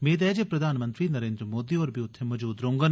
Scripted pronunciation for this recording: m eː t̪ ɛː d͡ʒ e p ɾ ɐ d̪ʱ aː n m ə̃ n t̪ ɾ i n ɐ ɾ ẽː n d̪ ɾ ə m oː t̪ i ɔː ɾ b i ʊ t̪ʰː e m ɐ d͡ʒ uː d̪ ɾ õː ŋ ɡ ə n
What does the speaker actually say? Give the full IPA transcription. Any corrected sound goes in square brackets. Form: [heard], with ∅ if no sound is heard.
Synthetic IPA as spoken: m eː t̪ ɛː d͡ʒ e p ɾ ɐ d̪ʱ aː n m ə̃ n t̪ ɾ i n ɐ ɾ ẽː n d̪ ɾ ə m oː [d̪] i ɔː ɾ b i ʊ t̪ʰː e m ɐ d͡ʒ uː d̪ ɾ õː ŋ ɡ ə n